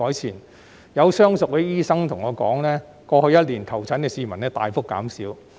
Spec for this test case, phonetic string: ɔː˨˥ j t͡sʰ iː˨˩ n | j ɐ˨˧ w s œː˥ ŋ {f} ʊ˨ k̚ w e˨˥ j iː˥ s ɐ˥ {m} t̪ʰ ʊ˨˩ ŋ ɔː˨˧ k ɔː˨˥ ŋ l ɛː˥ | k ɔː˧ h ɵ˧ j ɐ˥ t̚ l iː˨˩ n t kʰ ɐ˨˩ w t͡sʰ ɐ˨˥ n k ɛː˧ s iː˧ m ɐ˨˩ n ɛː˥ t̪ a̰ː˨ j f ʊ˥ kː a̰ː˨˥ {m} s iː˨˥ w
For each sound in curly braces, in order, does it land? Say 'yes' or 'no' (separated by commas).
no, no, yes